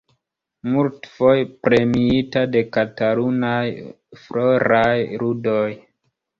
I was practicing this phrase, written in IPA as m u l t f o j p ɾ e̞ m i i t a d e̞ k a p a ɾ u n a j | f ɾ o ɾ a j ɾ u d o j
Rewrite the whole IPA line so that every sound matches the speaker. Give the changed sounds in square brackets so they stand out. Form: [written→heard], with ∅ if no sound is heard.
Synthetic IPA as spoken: m u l t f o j p ɾ e̞ m i i t a d e̞ k a [p→t] a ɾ u n a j | f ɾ o ɾ a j ɾ u d o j